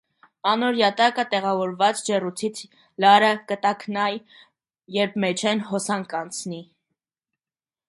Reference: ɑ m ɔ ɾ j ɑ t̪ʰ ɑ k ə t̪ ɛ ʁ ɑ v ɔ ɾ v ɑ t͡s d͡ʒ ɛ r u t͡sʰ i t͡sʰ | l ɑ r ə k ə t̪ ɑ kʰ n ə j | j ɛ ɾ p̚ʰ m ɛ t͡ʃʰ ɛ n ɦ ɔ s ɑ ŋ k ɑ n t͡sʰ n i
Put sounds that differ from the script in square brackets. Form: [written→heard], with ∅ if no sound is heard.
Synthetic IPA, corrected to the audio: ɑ [m→n] ɔ ɾ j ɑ [t̪ʰ→t̪] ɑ k ə t̪ ɛ ʁ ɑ v ɔ ɾ v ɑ t͡s d͡ʒ ɛ r u t͡sʰ i t͡sʰ | l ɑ [r→ɾ] ə k ə t̪ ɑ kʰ n [ə→ɑ] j | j ɛ ɾ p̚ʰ m ɛ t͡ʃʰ ɛ n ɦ ɔ s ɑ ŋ k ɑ n t͡sʰ n i